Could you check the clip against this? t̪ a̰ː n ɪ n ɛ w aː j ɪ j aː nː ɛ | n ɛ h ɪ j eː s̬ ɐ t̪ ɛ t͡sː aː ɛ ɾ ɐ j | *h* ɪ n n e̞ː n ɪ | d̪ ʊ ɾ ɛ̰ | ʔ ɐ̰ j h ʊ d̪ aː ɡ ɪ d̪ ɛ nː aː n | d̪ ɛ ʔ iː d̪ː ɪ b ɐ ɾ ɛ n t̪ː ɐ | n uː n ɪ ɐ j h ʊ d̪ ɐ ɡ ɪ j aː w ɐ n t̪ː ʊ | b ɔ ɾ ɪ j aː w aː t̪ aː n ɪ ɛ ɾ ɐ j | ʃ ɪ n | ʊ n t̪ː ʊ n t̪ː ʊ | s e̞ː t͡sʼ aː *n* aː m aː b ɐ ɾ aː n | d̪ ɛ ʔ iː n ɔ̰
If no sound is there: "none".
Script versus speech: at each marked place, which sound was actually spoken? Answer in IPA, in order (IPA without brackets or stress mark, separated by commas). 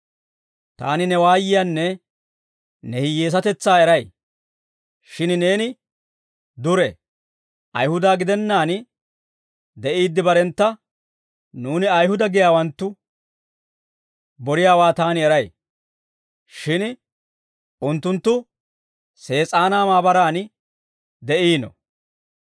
ʃ, n